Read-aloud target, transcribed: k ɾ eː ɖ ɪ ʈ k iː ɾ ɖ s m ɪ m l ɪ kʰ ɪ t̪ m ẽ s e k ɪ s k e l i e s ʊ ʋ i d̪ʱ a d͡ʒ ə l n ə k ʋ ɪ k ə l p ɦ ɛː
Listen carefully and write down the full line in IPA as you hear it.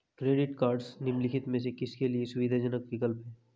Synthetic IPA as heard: k ɾ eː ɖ ɪ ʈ k aː ɾ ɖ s n ɪ m l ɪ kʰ ɪ t̪ m ẽ s e k ɪ s k e l i e s ʊ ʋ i d̪ʱ a d͡ʒ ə n ə k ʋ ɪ k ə l p ɦ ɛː